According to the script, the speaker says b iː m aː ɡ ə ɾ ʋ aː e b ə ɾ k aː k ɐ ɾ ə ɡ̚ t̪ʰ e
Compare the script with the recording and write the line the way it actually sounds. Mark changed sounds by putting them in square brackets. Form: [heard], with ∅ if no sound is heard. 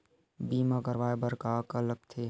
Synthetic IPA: b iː m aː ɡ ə ɾ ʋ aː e b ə ɾ k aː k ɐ [l] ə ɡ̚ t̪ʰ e